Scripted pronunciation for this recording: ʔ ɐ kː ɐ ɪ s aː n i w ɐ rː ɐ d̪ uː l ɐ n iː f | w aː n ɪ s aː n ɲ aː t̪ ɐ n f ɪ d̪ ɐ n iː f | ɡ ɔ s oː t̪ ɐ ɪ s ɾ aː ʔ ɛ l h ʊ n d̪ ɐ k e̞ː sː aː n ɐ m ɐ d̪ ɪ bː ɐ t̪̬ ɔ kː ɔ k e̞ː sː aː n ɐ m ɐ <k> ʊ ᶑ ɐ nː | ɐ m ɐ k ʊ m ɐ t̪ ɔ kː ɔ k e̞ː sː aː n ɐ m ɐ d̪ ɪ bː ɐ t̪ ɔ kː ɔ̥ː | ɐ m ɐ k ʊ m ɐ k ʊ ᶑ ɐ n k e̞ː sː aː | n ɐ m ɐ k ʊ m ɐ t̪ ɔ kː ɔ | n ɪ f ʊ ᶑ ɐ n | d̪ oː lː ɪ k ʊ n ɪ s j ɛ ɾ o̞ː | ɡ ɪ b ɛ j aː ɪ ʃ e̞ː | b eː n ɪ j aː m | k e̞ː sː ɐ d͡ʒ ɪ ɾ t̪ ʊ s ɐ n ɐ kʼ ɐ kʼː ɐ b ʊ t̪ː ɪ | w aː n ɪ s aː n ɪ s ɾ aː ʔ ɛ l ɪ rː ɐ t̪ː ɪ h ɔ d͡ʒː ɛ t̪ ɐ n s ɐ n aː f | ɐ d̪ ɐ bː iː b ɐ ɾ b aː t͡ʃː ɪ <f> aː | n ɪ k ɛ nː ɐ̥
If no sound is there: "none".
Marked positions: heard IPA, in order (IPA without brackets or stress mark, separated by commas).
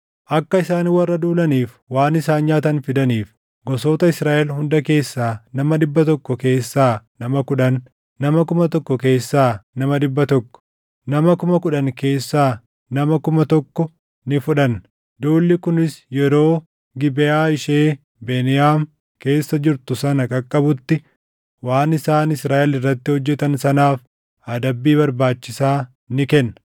k, s